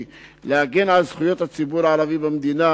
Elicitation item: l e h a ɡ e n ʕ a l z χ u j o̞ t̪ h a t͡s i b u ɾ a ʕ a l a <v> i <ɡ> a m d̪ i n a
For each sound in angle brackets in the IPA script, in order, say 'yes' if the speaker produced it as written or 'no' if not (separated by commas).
yes, no